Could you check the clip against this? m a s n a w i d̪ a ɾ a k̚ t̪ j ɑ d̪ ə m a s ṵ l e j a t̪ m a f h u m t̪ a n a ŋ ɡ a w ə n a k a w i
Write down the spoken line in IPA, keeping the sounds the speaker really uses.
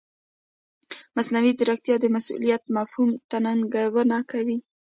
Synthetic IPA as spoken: m a s n a w i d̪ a ɾ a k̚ t̪ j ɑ d̪ ə m a s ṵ l i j a t̪ m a f h u m t̪ a n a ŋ ɡ a w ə n a k a w i